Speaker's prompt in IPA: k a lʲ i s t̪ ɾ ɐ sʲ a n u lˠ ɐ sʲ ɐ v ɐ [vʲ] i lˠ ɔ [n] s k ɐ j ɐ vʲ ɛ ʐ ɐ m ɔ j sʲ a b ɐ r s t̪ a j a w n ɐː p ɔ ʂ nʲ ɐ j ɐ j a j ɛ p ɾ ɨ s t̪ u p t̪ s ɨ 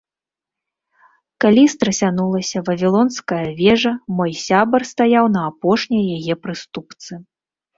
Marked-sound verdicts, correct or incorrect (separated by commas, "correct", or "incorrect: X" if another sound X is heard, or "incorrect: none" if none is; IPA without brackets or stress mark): correct, correct